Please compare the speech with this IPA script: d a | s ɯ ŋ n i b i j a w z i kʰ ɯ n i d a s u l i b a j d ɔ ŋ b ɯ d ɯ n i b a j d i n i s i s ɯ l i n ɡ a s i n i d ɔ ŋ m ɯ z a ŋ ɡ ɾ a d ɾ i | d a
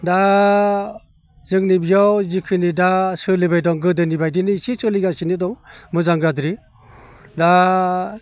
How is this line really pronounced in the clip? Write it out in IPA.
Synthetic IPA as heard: d a | z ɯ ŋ n i b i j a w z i kʰ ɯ n i d a s ɯ l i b a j d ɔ ŋ ɡ ɯ d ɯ n i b a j d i n i s i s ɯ l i ɡ a s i n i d ɔ ŋ m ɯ z a ŋ ɡ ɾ a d ɾ i | d a